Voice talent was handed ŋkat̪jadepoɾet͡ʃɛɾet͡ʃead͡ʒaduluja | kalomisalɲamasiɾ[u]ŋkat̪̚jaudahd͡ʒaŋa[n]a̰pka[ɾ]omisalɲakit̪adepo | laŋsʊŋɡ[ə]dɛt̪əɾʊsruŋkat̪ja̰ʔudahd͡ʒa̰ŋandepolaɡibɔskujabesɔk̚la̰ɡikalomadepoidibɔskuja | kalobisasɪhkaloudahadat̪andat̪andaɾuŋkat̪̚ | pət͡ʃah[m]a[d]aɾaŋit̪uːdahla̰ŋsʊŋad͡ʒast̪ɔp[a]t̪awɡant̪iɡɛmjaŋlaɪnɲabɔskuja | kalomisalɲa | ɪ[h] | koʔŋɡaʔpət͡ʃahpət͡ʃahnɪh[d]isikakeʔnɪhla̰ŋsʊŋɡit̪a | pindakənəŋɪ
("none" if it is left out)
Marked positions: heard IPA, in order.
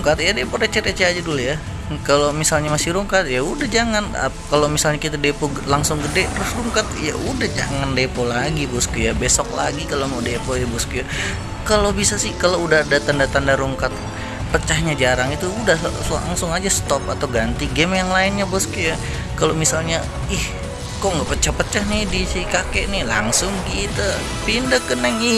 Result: u, n, l, ə, ɲ, d͡ʒ, a, h, d

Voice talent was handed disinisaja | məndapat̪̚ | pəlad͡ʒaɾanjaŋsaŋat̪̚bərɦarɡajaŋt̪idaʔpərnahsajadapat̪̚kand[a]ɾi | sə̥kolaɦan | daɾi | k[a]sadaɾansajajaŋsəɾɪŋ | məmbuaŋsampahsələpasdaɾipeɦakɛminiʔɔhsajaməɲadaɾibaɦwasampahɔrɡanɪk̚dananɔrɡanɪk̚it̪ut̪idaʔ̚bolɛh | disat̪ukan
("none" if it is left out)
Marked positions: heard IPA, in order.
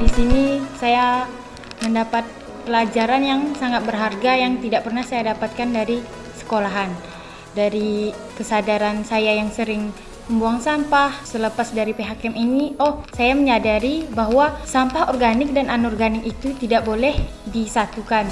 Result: a, ə

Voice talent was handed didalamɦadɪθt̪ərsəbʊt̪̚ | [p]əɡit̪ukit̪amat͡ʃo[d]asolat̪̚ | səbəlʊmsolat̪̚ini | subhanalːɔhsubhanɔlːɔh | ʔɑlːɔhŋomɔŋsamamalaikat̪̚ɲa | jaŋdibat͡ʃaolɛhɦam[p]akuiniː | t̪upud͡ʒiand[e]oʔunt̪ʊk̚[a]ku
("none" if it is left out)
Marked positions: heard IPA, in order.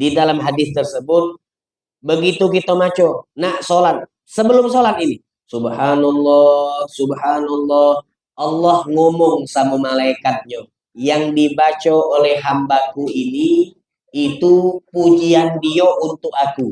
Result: b, n, b, i, a

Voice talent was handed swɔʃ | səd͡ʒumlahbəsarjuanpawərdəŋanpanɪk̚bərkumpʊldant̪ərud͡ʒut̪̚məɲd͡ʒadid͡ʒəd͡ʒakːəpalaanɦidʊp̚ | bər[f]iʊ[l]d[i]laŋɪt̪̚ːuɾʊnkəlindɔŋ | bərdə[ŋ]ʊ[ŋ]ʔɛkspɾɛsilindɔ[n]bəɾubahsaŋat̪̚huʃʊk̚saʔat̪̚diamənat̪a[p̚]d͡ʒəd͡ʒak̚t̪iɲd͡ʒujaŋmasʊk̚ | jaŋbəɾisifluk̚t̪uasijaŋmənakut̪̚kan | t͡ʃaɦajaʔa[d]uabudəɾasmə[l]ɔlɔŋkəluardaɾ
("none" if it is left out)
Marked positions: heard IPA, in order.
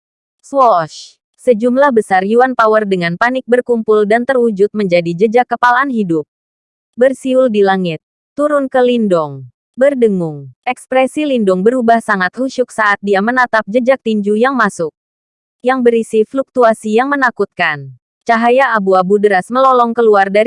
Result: s, l, i, ŋ, ŋ, ŋ, p̚, b, l

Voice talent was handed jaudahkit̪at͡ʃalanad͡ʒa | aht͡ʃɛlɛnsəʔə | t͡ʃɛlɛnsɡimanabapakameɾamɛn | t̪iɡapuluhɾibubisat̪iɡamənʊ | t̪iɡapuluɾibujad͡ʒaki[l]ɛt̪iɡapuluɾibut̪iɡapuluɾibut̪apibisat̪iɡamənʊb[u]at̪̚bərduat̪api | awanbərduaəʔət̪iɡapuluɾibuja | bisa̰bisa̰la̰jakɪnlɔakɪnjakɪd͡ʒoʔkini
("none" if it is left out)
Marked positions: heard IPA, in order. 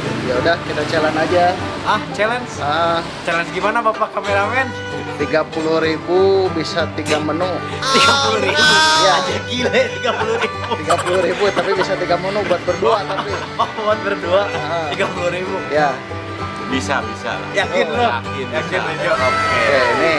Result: l, u

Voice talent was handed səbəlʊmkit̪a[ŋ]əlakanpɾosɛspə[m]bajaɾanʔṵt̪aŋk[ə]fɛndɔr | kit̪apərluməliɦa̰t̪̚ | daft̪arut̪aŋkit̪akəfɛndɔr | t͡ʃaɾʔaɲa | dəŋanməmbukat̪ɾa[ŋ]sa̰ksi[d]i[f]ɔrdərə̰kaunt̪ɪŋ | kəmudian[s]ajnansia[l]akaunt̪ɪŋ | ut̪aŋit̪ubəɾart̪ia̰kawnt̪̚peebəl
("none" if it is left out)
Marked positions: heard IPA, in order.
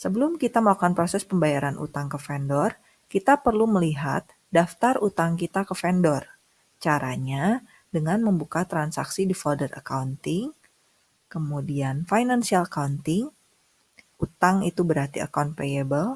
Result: m, m, ə, n, d, f, f, l

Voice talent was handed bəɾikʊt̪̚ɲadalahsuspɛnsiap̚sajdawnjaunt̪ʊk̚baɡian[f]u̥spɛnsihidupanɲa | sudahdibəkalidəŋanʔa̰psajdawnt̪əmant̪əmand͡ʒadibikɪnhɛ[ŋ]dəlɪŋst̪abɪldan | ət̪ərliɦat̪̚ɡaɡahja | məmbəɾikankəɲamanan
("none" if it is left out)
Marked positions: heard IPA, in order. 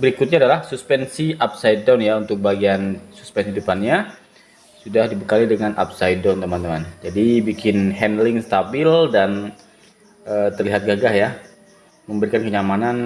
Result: s, n

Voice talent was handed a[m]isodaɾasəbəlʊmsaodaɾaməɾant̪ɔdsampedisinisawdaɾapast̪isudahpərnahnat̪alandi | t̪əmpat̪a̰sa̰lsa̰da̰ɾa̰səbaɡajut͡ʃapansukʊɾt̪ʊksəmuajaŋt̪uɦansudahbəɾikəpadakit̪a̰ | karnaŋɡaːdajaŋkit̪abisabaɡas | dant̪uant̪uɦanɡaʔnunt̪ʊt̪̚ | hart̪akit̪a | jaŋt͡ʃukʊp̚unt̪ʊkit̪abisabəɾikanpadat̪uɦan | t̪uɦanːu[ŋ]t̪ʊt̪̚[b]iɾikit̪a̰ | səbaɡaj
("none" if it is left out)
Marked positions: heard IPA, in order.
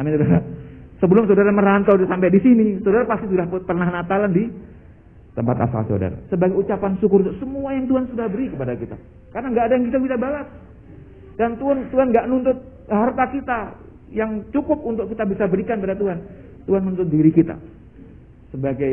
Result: m, n, d

